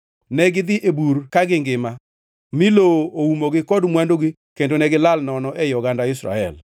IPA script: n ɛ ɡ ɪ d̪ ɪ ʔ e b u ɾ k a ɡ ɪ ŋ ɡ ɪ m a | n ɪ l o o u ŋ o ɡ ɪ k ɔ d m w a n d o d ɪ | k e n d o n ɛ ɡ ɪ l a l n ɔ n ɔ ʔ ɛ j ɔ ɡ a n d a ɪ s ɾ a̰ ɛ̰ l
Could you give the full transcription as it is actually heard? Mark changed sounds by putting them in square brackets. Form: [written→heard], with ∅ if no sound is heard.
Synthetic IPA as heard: n ɛ ɡ ɪ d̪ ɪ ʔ e b u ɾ k a ɡ ɪ ŋ ɡ ɪ m a | [n→m] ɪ l o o u [ŋ→m] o ɡ ɪ k ɔ d m w a n d o [d→ɡ] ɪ | k e n d o n ɛ ɡ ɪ l a l n ɔ n ɔ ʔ ɛ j ɔ ɡ a n d a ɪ s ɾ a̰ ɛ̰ l

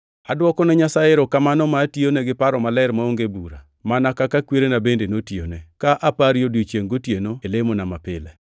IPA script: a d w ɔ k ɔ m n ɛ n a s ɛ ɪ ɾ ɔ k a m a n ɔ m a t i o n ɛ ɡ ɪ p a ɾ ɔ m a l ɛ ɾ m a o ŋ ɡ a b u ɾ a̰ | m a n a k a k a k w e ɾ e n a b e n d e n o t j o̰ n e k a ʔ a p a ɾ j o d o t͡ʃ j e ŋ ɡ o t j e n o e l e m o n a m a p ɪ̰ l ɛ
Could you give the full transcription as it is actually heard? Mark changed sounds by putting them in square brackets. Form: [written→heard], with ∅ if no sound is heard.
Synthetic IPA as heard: a d w ɔ k ɔ [m→∅] n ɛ [n→ɲ] a s [ɛ→a] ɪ ɾ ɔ k a m a n ɔ m a t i o n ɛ ɡ ɪ p a ɾ ɔ m a l ɛ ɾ m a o ŋ ɡ [a→e] b u ɾ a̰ | m a n a k a k a k w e ɾ e n a b e n d e n o t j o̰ n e k a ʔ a p a ɾ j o d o t͡ʃ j e ŋ ɡ o t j e n o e l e m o n a m a p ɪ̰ l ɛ

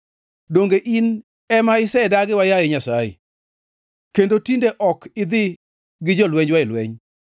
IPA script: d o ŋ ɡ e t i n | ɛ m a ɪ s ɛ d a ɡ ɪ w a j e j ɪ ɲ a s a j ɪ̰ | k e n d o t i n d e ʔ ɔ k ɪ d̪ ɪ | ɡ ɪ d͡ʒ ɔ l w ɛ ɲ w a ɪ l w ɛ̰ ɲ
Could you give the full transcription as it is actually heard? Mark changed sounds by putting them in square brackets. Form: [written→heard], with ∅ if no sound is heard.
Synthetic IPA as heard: d o ŋ ɡ e [t→ʔ] i n | ɛ m a ɪ s ɛ d a ɡ ɪ w a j [e→a] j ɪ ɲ a s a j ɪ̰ | k e n d o t i n d e ʔ ɔ k ɪ d̪ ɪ | ɡ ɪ d͡ʒ ɔ l w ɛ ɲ w a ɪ l w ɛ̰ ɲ

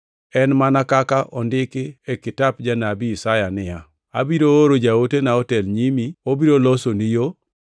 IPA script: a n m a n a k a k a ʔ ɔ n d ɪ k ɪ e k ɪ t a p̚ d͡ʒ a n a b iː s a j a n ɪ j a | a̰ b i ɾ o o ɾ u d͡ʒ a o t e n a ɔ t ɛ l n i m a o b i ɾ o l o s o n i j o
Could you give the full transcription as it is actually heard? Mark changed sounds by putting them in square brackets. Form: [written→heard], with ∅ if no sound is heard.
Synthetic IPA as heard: [a→ɛ] n m a n a k a k a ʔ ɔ n d ɪ k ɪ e k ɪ t a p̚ d͡ʒ a n a b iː s a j a n ɪ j a | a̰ b i ɾ o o ɾ [u→o] d͡ʒ a o t e n a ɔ t ɛ l [n→ɲ] i m [a→i] o b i ɾ o l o s o n i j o

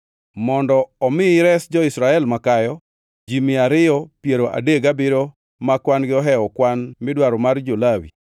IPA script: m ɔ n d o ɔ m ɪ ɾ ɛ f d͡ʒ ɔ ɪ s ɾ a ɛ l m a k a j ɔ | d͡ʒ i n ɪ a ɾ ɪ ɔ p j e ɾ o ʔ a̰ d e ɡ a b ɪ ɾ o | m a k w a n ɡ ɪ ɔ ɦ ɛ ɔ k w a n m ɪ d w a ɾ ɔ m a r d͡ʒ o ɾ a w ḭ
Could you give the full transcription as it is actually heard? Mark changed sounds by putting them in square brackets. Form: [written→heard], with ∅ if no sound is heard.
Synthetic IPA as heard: m ɔ n d [o→ɔ] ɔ m ɪ ɾ ɛ [f→s] d͡ʒ ɔ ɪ s ɾ a ɛ l m a k a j ɔ | d͡ʒ i [n→m] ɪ a ɾ ɪ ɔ p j e ɾ o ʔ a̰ d e ɡ a b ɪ ɾ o | m a k w a n ɡ ɪ ɔ ɦ ɛ ɔ k w a n m ɪ d w a ɾ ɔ m a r d͡ʒ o [ɾ→l] a w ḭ

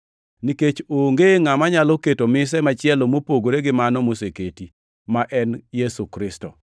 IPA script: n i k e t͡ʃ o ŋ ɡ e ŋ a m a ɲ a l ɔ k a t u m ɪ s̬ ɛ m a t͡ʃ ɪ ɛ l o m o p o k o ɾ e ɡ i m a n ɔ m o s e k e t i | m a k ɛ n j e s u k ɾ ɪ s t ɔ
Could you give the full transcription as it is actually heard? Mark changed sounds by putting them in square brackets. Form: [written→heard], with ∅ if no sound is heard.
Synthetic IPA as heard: n i k e t͡ʃ o ŋ ɡ e ŋ a m a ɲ a l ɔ k [a→e] t [u→o] m ɪ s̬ ɛ m a t͡ʃ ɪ ɛ l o m o p o [k→ɡ] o ɾ e ɡ [i→ɪ] m a n ɔ m o s e k e t i | m a [k→ʔ] ɛ n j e s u k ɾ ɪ s t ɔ

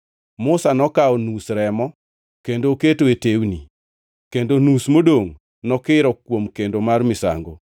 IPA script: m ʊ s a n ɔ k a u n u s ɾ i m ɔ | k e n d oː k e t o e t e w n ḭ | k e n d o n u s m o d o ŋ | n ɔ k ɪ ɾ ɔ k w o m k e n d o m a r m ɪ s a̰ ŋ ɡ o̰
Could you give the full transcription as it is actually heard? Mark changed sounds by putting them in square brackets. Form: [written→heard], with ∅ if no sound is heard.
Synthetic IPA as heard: m ʊ s a n ɔ k a [u→ɔ] n u s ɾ [i→ɛ] m ɔ | k e n d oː k e t o e t e w n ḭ | k e n d o n u s m o d o ŋ | n ɔ k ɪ ɾ ɔ k w o m k e n d o m a r m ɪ s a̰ ŋ ɡ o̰

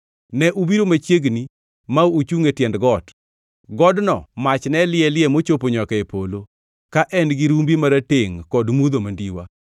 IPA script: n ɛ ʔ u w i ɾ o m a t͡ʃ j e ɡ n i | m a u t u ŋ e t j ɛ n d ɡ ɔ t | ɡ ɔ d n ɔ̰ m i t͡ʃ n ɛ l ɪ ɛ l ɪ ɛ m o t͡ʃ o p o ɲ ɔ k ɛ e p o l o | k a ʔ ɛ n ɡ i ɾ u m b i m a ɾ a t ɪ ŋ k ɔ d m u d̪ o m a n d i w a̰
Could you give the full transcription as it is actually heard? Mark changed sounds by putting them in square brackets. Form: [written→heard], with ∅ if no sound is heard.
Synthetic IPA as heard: n ɛ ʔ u [w→b] i ɾ o m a t͡ʃ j e ɡ n i | m a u [t→t͡ʃ] u ŋ e t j ɛ n d ɡ ɔ t | ɡ ɔ d n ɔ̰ m [i→a] t͡ʃ n ɛ l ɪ ɛ l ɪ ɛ m o t͡ʃ o p o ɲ ɔ k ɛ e p o l o | k a ʔ ɛ n ɡ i ɾ u m b i m a ɾ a t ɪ ŋ k ɔ d m u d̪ o m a n d i w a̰

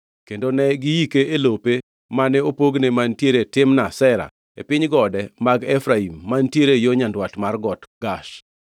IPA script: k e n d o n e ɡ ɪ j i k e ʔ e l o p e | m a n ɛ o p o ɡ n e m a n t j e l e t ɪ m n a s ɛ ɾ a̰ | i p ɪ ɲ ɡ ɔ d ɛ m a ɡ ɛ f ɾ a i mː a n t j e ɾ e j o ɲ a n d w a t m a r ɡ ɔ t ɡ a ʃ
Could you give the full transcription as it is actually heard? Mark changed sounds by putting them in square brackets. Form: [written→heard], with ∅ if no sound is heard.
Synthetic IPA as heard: k e n d o n [e→ɛ] ɡ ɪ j i k e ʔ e l o p e | m a n ɛ o p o ɡ n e m a n t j e [l→ɾ] e t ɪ m n a s ɛ ɾ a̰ | [i→e] p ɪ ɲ ɡ ɔ d ɛ m a ɡ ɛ f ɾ a i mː a n t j e ɾ e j o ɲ a n d w a t m a r ɡ ɔ t ɡ a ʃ

